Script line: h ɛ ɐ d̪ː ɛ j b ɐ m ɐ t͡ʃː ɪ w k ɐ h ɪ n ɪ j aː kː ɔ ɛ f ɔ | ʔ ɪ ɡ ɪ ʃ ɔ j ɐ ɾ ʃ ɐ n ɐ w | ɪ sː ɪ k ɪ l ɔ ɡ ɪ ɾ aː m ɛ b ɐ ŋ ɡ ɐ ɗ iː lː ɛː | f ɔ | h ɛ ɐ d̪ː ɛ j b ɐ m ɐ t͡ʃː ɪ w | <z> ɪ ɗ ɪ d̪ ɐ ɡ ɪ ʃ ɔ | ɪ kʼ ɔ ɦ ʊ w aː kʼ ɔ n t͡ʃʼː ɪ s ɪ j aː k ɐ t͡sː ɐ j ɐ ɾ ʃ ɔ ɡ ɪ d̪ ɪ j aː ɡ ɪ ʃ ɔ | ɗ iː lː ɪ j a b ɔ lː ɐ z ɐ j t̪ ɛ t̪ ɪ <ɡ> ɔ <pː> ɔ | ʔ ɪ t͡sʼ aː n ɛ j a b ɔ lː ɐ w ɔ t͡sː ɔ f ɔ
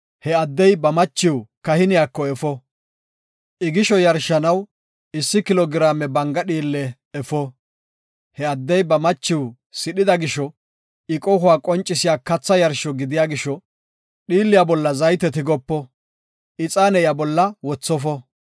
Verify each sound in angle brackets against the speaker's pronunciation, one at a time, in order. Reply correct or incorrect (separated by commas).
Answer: incorrect, correct, correct